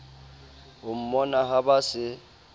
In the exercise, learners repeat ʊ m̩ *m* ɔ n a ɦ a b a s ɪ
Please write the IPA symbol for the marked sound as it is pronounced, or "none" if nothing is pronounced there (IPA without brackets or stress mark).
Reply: m